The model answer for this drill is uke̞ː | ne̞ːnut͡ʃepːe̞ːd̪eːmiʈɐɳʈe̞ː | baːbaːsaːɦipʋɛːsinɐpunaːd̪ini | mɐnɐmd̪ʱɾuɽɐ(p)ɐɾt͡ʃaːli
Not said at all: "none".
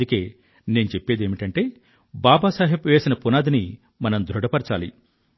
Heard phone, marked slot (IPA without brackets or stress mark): p